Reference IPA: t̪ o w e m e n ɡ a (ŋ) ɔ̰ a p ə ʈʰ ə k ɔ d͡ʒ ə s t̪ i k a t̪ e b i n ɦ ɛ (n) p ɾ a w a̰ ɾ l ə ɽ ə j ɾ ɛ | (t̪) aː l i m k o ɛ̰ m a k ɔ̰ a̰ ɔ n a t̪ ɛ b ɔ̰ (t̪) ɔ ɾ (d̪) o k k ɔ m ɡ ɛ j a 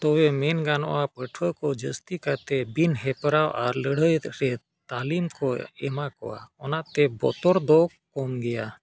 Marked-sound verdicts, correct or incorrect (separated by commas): incorrect, incorrect, correct, correct, correct